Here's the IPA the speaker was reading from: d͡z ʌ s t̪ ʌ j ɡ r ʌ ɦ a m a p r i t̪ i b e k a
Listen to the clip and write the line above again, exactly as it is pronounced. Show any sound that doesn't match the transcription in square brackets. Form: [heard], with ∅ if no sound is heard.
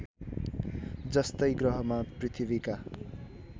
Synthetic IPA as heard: d͡z ʌ s t̪ ʌ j ɡ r ʌ ɦ [ʌ] m a p r i [t̪ʰ] i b [i] k a